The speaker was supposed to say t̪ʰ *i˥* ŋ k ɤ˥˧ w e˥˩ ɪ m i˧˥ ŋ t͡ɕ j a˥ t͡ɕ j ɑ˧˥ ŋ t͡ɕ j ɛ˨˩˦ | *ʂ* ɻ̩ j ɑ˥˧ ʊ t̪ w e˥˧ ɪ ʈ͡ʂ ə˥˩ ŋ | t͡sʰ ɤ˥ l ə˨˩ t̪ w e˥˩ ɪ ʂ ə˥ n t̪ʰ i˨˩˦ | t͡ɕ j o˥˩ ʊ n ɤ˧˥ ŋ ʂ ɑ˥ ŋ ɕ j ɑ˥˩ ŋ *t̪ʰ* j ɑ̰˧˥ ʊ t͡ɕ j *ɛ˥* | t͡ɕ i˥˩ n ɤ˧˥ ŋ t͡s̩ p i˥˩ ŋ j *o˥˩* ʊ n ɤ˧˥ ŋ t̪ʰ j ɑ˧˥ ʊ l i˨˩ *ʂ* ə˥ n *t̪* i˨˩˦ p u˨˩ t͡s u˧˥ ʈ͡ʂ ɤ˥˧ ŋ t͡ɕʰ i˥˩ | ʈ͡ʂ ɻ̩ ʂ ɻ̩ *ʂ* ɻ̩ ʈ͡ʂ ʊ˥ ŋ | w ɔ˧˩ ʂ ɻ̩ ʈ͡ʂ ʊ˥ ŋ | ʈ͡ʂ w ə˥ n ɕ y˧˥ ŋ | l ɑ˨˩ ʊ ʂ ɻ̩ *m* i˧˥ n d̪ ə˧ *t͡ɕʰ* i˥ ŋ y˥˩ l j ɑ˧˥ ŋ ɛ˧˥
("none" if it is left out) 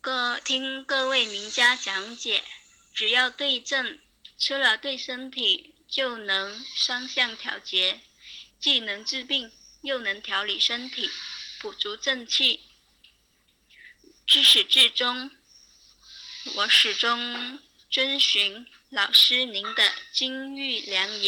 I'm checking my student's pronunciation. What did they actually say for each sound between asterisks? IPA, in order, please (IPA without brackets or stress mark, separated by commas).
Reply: i˥, ʈ͡ʂ, t̪ʰ, ɛ˧˥, o˥˩, ʂ, t̪ʰ, ʈ͡ʂ, n, t͡ɕ